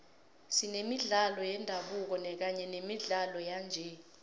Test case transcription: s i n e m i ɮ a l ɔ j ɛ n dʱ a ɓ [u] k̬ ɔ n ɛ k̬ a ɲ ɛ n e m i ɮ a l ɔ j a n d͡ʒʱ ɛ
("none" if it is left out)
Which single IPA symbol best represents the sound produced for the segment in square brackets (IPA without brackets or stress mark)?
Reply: u